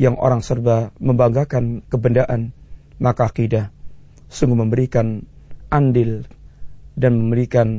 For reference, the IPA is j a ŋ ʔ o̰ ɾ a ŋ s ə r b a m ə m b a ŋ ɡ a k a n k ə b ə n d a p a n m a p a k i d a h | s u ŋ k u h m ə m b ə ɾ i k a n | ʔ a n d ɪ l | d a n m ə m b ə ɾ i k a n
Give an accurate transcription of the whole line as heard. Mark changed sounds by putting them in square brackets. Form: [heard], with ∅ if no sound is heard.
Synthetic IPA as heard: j a ŋ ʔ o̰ ɾ a ŋ s ə r b a m ə m b a ŋ ɡ a k a n k ə b ə n d a [ʔ] a n m a [k] a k i d a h | s u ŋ [ɡ] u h m ə m b ə ɾ i k a n | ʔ a n d ɪ l | d a n m ə m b ə ɾ i k a n